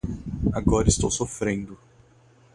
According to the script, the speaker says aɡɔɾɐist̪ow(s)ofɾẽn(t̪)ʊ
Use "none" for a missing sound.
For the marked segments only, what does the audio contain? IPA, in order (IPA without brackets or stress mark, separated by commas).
s, d̪